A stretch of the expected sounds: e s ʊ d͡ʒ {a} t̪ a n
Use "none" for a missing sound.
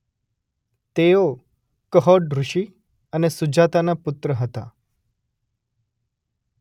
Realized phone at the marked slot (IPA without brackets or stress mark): a